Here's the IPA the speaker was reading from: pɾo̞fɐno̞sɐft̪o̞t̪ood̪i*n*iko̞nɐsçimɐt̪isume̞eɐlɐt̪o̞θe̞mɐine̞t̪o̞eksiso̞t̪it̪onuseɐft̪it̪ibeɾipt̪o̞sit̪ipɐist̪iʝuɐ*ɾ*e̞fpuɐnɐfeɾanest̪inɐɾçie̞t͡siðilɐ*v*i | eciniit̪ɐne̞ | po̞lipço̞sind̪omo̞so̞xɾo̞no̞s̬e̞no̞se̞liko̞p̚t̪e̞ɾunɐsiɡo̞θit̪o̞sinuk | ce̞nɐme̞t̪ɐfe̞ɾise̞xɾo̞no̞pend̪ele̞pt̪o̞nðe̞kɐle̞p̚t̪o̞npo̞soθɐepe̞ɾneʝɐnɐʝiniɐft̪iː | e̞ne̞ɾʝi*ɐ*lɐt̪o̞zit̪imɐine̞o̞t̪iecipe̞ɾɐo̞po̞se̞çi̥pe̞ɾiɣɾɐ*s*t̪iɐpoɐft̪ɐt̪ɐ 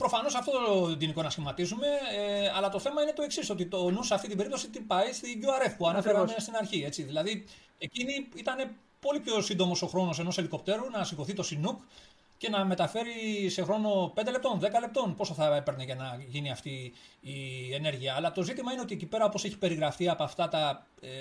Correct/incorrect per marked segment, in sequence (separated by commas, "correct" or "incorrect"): correct, correct, incorrect, incorrect, incorrect